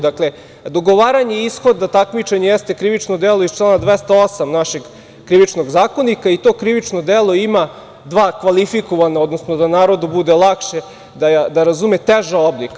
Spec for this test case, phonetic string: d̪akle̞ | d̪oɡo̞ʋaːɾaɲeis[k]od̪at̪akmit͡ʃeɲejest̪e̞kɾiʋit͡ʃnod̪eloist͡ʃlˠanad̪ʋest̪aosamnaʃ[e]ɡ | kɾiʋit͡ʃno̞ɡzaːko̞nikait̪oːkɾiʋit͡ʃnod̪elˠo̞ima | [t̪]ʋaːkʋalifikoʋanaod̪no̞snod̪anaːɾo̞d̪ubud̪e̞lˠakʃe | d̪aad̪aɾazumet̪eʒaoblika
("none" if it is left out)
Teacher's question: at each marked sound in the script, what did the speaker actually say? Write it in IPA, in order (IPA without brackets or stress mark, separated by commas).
x, e, d̪